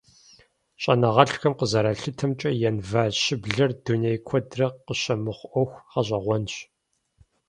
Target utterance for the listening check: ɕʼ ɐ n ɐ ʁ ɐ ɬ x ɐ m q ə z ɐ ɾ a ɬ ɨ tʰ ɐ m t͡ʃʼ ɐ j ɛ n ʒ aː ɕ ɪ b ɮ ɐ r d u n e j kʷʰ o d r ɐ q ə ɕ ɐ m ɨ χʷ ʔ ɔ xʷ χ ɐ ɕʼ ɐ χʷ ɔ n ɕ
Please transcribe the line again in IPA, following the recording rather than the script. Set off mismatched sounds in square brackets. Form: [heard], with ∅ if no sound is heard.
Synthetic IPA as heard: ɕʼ ɐ n ɐ ʁ ɐ ɬ x ɐ m q ə z ɐ ɾ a ɬ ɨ tʰ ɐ m t͡ʃʼ ɐ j ɛ n [v] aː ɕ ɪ b ɮ ɐ r d u n e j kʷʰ [ɔ] d r ɐ q ə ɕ ɐ m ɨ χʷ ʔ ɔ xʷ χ ɐ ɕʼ ɐ [ʁʷ] ɔ n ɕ